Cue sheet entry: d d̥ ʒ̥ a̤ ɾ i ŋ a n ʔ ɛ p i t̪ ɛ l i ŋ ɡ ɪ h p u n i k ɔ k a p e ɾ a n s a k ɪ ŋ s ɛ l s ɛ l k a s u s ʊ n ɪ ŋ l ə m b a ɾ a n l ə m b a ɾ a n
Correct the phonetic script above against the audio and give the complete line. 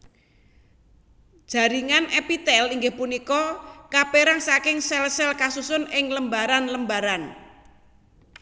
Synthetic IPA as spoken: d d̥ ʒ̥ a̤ ɾ i ŋ a n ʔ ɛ p i t̪ ɛ l i ŋ ɡ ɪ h p u n i k ɔ k a p e ɾ a ŋ s a k ɪ ŋ s ɛ l s ɛ l k a s u s ʊ n ɪ ŋ l ə m b a ɾ a n l ə m b a ɾ a n